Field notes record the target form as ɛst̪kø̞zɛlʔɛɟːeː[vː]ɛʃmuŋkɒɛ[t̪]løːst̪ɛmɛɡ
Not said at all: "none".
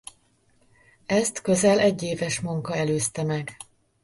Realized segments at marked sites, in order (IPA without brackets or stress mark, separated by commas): v, none